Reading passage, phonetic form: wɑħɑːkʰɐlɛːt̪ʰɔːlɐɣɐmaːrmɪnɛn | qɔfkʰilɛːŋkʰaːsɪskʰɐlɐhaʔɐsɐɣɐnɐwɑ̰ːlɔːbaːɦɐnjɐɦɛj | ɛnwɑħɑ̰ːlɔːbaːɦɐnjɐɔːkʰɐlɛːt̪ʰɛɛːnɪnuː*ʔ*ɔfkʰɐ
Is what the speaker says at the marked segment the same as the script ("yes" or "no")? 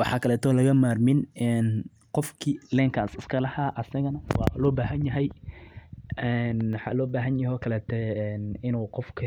no